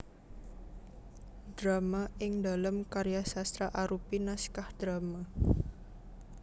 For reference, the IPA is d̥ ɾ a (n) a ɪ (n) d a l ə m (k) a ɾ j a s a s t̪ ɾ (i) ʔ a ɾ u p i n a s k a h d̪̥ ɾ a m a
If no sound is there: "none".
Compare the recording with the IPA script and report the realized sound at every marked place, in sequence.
m, ŋ, k, a

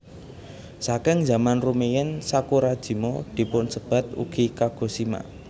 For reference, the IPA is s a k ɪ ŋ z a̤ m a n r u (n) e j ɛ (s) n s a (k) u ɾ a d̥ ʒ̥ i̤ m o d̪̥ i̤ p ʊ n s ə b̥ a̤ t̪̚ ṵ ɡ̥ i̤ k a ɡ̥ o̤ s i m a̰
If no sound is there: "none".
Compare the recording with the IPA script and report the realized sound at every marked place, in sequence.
m, none, k

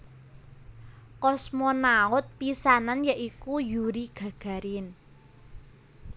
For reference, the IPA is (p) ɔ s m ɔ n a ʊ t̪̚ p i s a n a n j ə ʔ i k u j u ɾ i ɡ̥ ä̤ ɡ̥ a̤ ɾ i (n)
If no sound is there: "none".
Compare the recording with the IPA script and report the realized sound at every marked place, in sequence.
k, n

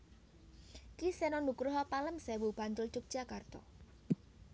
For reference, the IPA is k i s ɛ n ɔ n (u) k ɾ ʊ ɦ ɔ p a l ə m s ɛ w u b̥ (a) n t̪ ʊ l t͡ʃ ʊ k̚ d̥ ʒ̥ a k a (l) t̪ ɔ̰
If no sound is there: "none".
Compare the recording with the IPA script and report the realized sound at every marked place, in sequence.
u, a, r

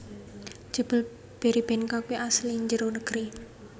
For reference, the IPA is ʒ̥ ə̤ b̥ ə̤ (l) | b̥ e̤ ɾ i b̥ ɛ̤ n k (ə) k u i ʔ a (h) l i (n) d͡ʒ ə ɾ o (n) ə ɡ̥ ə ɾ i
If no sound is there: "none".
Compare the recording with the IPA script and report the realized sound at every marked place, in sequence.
l, a, s, ɲ, n

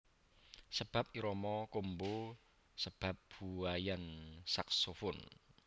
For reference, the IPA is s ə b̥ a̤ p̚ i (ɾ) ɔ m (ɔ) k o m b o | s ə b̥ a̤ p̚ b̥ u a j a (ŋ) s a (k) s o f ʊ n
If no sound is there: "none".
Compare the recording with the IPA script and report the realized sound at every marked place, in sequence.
ɾ, ɔ, n, k

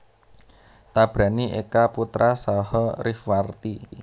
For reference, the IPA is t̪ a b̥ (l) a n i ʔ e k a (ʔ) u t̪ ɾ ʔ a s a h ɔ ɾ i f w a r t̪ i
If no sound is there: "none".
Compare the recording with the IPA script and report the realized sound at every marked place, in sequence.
ɾ, p

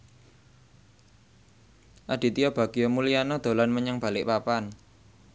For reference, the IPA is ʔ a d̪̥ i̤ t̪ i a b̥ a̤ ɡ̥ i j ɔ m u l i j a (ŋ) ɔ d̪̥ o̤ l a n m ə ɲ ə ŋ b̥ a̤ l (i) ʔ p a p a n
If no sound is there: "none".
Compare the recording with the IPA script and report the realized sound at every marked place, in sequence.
n, ɪ

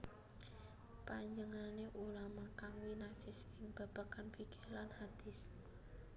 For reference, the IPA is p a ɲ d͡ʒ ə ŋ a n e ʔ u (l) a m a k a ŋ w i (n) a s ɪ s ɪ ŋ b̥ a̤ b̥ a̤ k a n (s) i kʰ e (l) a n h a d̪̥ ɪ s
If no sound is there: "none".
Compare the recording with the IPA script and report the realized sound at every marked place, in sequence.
l, n, f, l

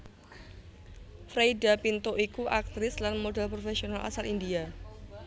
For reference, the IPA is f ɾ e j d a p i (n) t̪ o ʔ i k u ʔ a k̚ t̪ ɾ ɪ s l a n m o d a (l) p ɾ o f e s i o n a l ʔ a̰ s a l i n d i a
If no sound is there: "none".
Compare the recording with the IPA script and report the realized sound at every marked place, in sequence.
n, l

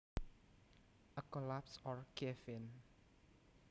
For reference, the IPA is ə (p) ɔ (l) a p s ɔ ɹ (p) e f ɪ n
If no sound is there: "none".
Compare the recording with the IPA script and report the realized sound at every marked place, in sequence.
k, l, k

